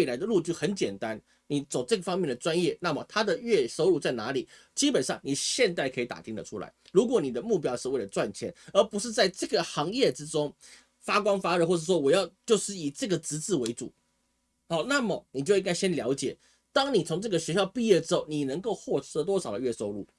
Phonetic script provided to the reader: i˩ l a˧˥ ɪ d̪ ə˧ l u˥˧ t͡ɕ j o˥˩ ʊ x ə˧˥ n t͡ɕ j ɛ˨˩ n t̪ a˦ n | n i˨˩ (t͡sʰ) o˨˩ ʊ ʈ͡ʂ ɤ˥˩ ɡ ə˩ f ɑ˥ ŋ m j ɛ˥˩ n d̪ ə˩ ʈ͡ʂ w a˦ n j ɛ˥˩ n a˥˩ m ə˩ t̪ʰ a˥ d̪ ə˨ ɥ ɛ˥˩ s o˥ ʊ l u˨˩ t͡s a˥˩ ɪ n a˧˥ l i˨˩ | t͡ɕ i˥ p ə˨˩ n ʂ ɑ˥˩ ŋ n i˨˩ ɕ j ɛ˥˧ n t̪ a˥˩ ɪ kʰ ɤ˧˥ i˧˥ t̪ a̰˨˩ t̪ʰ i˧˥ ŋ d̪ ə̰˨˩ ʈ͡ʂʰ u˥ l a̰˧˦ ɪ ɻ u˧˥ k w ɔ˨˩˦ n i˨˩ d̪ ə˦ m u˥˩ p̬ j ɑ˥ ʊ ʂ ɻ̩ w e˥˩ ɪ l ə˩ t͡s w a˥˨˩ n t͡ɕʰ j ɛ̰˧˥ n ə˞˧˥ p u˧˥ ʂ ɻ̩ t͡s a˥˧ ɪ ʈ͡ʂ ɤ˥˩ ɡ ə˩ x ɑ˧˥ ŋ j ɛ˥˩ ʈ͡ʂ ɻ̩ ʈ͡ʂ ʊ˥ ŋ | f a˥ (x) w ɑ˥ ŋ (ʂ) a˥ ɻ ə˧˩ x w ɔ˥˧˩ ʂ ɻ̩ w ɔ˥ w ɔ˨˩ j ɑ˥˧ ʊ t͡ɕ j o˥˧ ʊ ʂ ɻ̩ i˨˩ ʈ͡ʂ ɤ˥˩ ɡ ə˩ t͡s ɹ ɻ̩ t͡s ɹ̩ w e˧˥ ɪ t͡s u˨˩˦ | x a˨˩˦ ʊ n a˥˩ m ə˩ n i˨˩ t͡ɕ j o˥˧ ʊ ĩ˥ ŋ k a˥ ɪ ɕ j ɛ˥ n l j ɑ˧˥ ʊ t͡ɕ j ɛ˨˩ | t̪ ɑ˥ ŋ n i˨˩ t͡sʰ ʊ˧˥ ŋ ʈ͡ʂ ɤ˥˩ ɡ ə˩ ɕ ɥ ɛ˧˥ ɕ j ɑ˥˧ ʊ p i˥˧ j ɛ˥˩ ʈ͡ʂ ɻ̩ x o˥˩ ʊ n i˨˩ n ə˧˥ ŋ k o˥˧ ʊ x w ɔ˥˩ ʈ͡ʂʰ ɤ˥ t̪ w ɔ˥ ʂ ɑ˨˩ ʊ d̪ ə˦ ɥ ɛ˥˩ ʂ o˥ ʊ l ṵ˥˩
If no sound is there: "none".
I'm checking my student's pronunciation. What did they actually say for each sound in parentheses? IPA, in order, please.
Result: t͡s, k, f

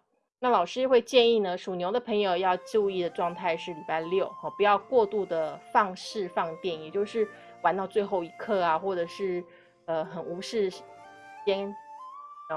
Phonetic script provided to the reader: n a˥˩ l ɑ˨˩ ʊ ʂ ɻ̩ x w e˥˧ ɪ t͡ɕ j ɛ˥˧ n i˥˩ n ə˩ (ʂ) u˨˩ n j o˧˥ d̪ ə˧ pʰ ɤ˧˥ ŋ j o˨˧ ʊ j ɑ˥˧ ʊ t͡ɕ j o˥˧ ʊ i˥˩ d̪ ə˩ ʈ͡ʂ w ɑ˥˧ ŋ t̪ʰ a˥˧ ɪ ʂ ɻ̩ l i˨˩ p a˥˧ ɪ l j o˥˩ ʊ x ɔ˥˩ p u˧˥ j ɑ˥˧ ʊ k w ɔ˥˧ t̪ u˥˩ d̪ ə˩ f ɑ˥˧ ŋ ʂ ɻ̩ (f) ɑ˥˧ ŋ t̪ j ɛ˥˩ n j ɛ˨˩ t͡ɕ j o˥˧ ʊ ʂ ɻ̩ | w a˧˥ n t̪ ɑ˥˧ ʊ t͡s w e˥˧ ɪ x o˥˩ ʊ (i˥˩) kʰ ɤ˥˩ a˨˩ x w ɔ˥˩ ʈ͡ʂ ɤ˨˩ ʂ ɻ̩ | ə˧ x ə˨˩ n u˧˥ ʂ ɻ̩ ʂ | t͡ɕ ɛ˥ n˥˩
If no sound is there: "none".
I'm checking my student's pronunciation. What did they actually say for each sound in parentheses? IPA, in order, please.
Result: ʂ, f, i˧˥

